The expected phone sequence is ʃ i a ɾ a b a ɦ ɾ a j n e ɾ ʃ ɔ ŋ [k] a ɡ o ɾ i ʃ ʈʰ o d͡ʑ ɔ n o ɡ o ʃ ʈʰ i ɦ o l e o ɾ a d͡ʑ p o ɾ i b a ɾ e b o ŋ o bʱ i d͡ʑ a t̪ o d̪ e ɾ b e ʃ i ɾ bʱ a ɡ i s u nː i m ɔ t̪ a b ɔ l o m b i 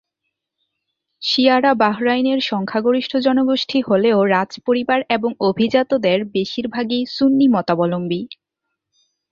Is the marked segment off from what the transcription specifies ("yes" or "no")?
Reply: yes